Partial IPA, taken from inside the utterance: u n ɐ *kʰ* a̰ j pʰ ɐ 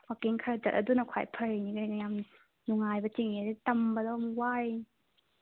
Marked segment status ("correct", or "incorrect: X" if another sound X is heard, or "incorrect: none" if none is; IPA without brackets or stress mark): correct